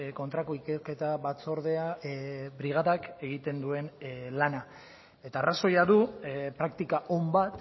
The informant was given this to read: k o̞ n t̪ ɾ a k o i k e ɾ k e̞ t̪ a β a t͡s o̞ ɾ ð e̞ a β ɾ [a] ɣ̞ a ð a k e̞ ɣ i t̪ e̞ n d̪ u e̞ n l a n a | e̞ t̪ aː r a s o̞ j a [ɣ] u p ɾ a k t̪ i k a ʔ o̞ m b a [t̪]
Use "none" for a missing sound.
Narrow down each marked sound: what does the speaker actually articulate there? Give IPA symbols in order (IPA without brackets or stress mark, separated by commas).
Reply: i, ð, t̪